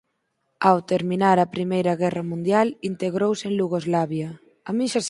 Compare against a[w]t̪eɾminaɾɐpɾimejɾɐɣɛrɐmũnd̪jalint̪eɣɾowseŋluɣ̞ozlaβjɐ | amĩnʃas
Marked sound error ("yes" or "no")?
no